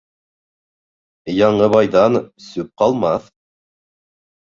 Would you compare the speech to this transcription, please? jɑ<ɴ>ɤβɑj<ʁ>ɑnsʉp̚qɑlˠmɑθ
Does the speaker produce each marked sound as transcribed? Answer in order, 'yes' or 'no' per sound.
yes, no

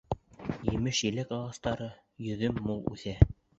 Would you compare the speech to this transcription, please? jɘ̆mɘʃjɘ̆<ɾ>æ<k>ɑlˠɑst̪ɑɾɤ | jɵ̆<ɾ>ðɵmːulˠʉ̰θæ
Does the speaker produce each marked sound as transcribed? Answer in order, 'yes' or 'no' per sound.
no, yes, no

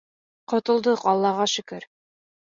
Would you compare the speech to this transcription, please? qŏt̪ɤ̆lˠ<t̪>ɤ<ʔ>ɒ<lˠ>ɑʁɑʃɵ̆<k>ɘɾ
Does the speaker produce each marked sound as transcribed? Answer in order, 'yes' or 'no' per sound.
no, no, no, yes

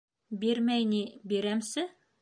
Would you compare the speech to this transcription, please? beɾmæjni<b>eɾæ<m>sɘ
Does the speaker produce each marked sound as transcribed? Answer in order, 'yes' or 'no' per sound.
yes, yes

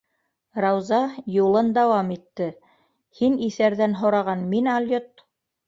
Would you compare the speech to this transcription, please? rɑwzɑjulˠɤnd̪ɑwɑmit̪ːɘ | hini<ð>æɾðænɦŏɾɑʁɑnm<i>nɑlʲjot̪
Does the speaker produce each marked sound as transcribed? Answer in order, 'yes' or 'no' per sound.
no, yes

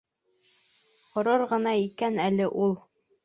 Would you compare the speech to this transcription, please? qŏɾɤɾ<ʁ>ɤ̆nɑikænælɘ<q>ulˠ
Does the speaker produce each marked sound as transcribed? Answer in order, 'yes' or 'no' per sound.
yes, no

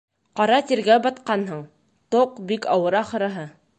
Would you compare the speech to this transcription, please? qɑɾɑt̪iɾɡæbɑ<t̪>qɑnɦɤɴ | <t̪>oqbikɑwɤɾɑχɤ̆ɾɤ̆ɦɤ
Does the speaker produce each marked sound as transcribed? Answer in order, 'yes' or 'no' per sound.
yes, yes

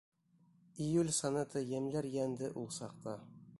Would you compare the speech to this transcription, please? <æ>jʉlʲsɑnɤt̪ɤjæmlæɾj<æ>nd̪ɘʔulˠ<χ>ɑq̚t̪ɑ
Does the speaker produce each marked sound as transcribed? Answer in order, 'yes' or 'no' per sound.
no, yes, no

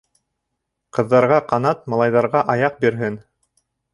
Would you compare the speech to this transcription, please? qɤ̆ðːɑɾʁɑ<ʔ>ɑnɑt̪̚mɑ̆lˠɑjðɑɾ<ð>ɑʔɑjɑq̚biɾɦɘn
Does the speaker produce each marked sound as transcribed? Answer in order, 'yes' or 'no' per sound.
no, no

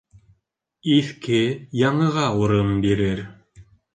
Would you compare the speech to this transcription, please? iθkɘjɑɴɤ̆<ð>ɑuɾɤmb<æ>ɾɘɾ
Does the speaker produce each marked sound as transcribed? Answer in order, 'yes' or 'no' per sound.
no, no

